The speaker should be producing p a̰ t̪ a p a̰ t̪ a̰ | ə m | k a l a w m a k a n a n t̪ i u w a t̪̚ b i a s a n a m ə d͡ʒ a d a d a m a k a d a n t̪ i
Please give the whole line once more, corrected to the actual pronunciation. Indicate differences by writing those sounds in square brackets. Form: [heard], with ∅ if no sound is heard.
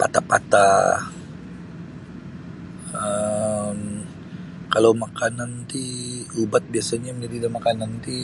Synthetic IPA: p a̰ t̪ a p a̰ t̪ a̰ | ə m | k a l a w m a k a n a n t̪ i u [b] a t̪̚ b i a s a [ɲ] a m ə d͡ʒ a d [i] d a m a k a [n] a n t̪ i